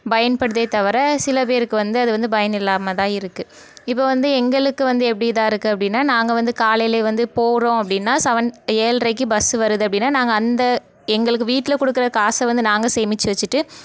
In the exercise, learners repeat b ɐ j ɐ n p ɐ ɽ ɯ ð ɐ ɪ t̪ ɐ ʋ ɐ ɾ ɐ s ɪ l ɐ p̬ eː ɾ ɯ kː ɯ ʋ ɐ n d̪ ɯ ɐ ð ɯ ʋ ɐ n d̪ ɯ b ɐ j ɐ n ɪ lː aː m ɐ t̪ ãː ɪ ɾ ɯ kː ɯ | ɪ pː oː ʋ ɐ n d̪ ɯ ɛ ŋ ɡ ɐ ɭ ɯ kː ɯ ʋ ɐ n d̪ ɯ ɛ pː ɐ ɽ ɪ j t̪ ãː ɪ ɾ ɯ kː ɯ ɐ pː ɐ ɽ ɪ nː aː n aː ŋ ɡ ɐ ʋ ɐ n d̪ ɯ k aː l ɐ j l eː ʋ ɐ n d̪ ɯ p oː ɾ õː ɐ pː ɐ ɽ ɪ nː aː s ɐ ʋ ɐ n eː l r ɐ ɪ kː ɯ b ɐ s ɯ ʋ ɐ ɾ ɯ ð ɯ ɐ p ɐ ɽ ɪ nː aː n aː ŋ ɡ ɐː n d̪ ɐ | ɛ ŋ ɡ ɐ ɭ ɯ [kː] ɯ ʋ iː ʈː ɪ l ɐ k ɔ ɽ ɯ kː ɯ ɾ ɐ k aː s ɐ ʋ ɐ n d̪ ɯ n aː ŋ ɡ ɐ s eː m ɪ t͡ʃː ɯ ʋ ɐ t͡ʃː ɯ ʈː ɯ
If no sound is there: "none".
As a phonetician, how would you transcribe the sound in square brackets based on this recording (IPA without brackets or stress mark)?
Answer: kː